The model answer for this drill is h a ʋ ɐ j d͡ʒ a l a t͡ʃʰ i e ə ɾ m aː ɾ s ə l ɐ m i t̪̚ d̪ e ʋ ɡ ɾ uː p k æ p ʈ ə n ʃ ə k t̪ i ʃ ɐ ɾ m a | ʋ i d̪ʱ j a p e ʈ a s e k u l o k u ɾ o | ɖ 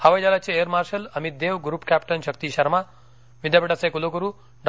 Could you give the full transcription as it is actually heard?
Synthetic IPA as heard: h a ʋ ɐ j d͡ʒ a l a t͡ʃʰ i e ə ɾ m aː ɾ ʃ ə l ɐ m i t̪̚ d̪ e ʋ ɡ ɾ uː p k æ p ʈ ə n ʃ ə k t̪ i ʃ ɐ ɾ m a | ʋ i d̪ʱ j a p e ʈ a s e k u l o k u ɾ u | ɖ